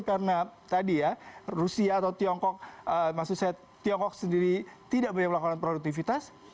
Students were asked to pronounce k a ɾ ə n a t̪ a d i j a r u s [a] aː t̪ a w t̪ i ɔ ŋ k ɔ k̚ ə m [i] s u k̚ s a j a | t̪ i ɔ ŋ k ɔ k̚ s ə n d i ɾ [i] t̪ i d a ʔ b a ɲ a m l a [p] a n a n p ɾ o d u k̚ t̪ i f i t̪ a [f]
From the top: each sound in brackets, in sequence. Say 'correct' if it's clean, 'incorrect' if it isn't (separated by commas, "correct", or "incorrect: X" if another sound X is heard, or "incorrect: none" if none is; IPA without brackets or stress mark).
incorrect: i, incorrect: a, correct, incorrect: k, incorrect: s